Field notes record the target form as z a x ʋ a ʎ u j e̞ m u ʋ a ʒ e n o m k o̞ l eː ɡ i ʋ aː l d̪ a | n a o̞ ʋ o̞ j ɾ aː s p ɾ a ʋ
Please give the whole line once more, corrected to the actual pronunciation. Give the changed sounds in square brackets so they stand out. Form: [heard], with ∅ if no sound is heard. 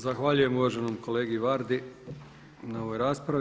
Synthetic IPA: z a x ʋ a ʎ u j e̞ m u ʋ a ʒ e n o m k o̞ l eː ɡ i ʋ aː [ɾ] d̪ [i] | n a o̞ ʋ o̞ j ɾ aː s p ɾ a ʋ